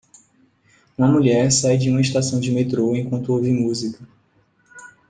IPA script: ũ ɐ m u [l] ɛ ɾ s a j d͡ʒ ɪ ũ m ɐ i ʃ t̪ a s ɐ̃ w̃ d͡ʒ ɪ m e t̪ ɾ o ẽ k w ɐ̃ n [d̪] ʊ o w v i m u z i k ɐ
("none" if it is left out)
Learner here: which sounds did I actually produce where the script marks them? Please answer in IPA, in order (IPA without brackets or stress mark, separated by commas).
ʎ, t̪